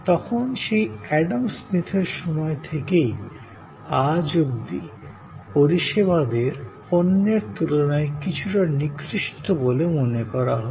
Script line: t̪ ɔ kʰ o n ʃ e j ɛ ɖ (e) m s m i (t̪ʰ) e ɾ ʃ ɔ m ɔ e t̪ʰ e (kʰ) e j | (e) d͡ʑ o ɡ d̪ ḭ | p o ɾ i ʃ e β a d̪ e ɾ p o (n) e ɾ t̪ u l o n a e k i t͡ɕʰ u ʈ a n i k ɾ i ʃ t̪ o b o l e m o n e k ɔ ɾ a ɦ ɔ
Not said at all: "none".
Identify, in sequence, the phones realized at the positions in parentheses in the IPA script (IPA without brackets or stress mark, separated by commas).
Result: a, t̪ʰ, k, a, nː